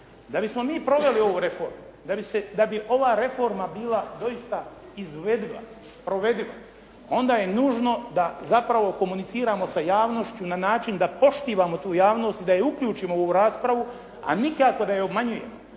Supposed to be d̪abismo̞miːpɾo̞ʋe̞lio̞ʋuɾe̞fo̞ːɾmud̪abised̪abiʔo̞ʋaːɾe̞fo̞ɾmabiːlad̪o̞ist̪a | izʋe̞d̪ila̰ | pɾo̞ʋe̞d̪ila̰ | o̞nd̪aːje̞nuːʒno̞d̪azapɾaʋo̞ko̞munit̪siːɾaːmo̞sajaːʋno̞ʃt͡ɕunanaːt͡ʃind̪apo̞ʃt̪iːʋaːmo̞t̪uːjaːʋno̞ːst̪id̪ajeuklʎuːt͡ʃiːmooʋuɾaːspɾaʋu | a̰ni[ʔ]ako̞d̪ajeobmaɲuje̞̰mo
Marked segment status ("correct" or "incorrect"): incorrect